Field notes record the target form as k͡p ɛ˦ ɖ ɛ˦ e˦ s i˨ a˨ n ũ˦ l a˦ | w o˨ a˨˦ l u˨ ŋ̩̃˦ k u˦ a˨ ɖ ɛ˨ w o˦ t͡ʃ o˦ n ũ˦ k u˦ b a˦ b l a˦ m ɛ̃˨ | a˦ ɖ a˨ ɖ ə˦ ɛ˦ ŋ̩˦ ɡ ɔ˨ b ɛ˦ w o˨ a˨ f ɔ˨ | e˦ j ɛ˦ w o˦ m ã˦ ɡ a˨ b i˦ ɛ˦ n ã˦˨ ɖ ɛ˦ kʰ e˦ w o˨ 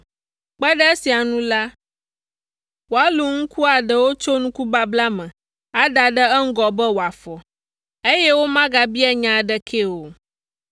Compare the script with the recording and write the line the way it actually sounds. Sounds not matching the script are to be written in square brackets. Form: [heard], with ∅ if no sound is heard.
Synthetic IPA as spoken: k͡p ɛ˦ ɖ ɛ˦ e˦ s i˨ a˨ n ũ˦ l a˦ | w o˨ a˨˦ l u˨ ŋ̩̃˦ k u˦ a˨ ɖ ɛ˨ w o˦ t͡ʃ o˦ n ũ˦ k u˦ b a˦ b l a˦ m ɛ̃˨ | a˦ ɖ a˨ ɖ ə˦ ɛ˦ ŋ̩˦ ɡ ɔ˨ b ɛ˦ w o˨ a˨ f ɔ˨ | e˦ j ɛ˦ w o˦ m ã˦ ɡ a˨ b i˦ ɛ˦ [ɲ] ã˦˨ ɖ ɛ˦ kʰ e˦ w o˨